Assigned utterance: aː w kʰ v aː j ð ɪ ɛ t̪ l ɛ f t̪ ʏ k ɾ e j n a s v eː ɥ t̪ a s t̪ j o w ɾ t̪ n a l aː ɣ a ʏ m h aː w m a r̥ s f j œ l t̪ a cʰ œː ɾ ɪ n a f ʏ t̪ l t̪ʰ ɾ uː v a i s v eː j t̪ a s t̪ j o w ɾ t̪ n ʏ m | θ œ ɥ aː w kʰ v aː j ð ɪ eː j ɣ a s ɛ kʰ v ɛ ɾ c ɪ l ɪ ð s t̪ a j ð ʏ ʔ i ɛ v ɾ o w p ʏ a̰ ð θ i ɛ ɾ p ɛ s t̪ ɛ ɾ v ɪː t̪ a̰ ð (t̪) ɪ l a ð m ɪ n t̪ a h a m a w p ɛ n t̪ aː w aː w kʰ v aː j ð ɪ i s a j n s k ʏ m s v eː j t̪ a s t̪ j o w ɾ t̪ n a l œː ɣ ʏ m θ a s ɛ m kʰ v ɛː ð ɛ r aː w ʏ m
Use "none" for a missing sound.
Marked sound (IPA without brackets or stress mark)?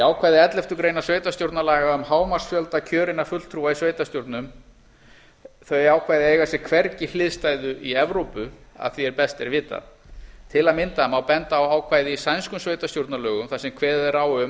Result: t̪ʰ